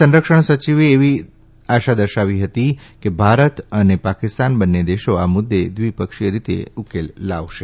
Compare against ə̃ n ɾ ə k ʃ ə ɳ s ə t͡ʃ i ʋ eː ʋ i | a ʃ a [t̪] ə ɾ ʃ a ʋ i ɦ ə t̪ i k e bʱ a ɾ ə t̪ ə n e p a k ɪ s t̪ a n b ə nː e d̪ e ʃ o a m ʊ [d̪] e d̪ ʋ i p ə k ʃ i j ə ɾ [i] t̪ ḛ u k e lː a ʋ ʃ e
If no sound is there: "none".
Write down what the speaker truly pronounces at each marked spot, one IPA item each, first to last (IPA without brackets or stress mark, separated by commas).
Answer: d̪, d̪ː, i